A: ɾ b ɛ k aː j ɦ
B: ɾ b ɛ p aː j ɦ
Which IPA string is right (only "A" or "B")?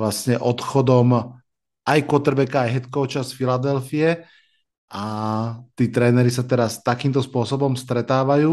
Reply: A